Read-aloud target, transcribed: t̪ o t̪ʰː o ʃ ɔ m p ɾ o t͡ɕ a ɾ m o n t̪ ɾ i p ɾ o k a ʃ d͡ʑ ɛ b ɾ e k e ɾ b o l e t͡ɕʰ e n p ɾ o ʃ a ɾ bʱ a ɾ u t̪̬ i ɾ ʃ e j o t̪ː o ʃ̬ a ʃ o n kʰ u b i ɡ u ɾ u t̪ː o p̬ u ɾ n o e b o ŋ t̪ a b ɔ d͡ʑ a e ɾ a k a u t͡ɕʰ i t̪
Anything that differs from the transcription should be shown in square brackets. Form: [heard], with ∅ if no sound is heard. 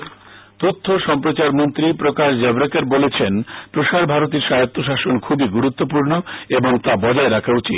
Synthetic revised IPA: t̪ o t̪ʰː o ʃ ɔ m p ɾ o t͡ɕ a ɾ m o n t̪ ɾ i p ɾ o k a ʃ d͡ʑ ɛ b ɾ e k e ɾ b o l e t͡ɕʰ e n p ɾ o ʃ a ɾ bʱ a ɾ [o] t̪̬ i ɾ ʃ [a] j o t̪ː o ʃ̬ a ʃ o n kʰ u b i ɡ u ɾ u t̪ː o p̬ u ɾ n o e b o ŋ t̪ a b ɔ d͡ʑ a e ɾ a [kʰ] a u [t͡ɕ] i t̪

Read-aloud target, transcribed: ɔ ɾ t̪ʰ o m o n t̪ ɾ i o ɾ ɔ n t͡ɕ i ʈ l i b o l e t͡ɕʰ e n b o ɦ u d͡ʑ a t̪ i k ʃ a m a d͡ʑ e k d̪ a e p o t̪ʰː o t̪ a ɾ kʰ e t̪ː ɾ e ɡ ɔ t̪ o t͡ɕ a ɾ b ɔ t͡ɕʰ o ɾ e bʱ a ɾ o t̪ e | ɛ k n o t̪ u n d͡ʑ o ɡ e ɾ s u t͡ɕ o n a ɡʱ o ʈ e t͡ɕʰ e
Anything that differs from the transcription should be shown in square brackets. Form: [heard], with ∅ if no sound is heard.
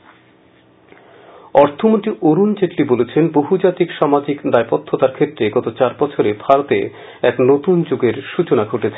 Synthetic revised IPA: ɔ ɾ t̪ʰ o m o n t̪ ɾ i o ɾ [u] n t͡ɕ [e] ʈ l i b o l e t͡ɕʰ e n b o ɦ u d͡ʑ a t̪ i k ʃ a m a d͡ʑ [i] k d̪ a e p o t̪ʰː o t̪ a ɾ kʰ e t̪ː ɾ e ɡ ɔ t̪ o t͡ɕ a ɾ b ɔ t͡ɕʰ o ɾ e bʱ a ɾ o t̪ e | ɛ k n o t̪ u n d͡ʑ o ɡ e ɾ [ʃ] u t͡ɕ o n a ɡʱ o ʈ e t͡ɕʰ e

